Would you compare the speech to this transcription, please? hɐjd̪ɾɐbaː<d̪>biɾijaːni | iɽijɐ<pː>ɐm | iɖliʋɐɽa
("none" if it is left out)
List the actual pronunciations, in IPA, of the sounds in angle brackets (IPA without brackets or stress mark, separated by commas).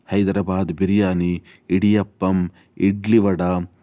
d̪, pː